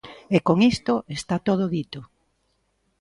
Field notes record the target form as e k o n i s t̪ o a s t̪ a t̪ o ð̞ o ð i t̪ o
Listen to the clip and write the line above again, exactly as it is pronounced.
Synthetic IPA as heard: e k o ŋ i s t̪ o e s t̪ a t̪ o ð̞ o ð i t̪ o